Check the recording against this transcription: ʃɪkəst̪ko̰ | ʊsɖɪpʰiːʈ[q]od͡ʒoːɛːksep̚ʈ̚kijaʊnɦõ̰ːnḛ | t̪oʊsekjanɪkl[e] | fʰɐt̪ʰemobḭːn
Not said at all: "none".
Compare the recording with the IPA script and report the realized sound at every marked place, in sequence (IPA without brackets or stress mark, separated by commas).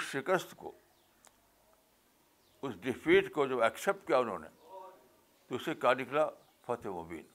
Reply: k, a